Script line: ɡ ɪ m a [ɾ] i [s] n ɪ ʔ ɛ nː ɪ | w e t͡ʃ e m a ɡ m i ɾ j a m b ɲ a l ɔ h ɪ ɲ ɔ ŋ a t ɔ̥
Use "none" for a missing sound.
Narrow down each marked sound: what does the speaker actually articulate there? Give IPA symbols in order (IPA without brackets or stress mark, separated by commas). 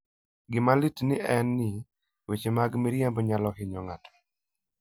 l, t